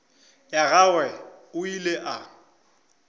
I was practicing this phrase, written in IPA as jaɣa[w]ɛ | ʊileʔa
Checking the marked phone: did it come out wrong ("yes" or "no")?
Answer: no